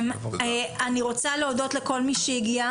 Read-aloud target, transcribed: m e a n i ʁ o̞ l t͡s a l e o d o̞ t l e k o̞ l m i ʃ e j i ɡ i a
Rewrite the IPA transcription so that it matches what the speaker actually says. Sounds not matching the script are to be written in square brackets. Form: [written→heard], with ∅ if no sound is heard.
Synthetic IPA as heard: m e a n i ʁ o̞ [l→∅] t͡s a l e o d o̞ t l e k o̞ l m i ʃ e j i ɡ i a